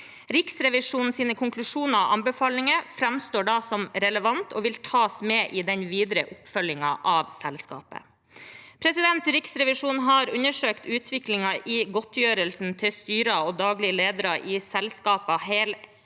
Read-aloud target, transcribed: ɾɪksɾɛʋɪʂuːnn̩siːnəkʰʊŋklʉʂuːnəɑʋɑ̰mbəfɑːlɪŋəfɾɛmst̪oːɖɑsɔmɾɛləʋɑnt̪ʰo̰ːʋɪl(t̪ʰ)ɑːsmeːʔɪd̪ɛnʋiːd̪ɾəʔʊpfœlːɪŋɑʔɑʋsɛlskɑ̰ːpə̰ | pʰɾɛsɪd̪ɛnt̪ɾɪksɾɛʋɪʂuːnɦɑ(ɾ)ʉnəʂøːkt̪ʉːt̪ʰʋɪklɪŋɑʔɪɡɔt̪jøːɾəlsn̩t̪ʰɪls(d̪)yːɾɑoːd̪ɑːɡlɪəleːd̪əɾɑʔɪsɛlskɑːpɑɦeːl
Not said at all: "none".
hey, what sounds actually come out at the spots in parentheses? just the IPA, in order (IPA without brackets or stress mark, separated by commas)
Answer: t̪ʰ, ɾ, t̪